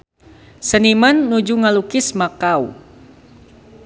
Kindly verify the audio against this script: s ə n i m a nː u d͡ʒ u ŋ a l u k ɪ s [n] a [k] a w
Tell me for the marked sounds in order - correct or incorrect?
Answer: incorrect: m, correct

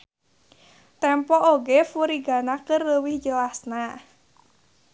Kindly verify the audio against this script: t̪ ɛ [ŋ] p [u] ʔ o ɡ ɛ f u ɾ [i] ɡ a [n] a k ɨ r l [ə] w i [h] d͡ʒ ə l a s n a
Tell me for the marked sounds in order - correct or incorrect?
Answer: incorrect: m, incorrect: ɔ, correct, correct, correct, correct

